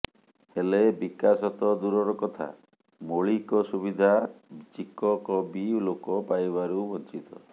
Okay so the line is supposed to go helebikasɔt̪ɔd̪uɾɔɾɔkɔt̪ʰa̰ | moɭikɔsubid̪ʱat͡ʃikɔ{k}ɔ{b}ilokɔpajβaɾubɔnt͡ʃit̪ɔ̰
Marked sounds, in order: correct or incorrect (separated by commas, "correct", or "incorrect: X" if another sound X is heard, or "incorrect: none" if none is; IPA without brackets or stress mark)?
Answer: correct, correct